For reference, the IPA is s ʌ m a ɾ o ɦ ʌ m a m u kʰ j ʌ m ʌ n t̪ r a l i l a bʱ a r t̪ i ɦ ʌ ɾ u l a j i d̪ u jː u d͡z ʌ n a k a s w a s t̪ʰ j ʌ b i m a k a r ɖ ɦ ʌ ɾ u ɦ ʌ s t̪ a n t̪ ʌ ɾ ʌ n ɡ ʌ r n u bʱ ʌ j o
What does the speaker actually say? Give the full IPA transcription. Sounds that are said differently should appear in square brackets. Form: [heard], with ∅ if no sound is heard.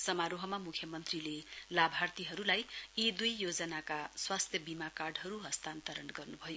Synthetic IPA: s ʌ m a ɾ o ɦ ʌ m a m u kʰ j ʌ m ʌ n t̪ r [i] l [e] l a bʱ a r t̪ i ɦ ʌ ɾ u l a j i d̪ u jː [o] d͡z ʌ n a k a s w a s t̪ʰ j ʌ b i m a k a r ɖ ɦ ʌ ɾ u ɦ ʌ s t̪ a n t̪ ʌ ɾ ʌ n ɡ ʌ r n u bʱ ʌ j o